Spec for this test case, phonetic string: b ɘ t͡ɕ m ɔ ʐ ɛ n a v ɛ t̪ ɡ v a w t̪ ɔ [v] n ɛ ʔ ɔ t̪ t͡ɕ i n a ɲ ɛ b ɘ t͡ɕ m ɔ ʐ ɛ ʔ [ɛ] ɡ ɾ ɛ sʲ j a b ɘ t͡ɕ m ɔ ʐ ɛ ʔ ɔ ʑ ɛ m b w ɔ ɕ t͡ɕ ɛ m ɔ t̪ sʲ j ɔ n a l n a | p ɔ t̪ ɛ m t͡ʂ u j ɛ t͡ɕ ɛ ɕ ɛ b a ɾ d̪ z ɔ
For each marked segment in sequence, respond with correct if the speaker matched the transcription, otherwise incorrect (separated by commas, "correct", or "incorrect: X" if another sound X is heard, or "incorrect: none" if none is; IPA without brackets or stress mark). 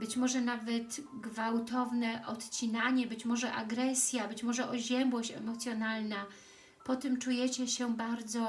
correct, incorrect: a